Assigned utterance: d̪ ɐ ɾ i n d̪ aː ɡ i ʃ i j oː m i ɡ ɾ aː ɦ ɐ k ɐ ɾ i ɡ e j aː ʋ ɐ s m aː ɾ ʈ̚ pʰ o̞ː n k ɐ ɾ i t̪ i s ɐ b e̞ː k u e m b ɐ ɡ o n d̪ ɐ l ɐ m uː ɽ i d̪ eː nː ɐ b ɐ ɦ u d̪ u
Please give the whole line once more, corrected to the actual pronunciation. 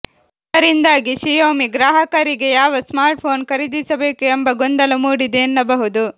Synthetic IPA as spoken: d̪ ɐ ɾ i n d̪ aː ɡ i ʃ i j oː m i ɡ ɾ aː ɦ ɐ k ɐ ɾ i ɡ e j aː ʋ ɐ s m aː ɾ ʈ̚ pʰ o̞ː n k ɐ ɾ i d̪ i s ɐ b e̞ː k u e m b ɐ ɡ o n d̪ ɐ l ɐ m uː ɽ i d̪ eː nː ɐ b ɐ ɦ u d̪ u